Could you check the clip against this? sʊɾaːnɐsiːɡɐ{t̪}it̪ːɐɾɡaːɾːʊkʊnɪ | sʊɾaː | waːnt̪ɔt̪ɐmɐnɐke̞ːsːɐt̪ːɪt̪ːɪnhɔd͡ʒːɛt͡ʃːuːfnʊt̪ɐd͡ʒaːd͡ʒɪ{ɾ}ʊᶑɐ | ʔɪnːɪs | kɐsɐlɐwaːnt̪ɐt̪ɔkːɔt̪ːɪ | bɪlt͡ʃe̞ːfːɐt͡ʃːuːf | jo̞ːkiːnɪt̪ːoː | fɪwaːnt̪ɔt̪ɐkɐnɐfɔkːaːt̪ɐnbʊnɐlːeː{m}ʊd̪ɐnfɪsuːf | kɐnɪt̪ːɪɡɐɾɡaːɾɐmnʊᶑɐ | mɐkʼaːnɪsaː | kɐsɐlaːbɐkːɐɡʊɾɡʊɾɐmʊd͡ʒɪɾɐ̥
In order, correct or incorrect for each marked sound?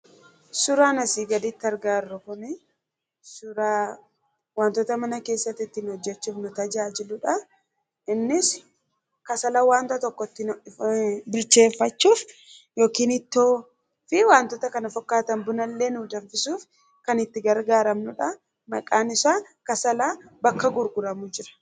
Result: incorrect, incorrect, incorrect

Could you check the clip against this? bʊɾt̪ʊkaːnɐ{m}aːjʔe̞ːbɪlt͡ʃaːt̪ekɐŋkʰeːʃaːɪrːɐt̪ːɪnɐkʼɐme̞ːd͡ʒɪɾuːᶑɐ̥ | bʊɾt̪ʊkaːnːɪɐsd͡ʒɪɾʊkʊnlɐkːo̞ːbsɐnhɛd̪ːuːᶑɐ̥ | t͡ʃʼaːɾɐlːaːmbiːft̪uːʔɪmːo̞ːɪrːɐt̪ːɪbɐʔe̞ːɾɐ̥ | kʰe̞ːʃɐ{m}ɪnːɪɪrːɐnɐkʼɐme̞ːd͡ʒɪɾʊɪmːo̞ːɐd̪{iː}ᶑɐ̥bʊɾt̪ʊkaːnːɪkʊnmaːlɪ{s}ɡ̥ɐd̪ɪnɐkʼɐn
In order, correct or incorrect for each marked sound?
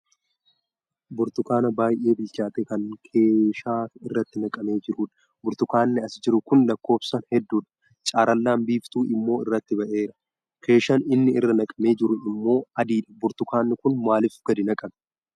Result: incorrect, incorrect, correct, incorrect

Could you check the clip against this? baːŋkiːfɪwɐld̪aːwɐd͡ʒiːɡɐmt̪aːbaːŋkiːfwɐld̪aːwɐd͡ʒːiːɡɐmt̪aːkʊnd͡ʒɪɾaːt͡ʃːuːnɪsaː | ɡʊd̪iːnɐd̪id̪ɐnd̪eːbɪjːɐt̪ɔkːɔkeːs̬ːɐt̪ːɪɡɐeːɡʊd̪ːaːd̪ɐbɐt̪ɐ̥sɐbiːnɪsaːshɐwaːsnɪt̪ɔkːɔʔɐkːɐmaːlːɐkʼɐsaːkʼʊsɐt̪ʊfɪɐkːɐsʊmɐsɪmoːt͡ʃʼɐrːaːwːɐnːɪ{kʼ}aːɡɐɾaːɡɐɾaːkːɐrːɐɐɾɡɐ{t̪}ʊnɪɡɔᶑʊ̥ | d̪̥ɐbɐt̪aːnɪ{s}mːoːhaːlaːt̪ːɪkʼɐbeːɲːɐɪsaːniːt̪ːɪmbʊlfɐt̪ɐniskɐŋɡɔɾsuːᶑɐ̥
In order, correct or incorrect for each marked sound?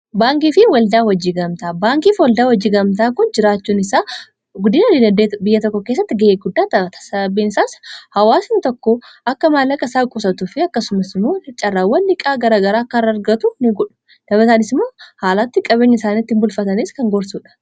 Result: correct, correct, correct

